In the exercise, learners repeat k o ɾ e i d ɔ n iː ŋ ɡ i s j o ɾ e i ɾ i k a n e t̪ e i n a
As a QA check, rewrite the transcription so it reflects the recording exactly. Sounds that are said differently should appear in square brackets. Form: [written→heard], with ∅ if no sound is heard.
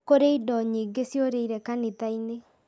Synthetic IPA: k o ɾ e i d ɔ [n→ɲ] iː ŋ ɡ [i→e] s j o ɾ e i ɾ [i→ɛ] k a n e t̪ [e→a] i n [a→e]